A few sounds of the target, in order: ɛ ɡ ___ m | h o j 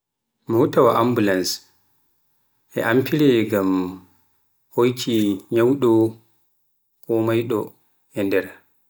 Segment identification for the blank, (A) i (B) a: B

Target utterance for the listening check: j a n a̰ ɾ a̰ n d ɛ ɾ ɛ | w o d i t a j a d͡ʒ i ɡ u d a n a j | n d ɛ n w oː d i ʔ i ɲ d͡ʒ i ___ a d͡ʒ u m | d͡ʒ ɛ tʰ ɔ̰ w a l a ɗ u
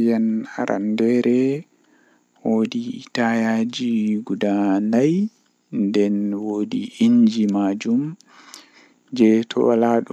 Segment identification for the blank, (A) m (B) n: A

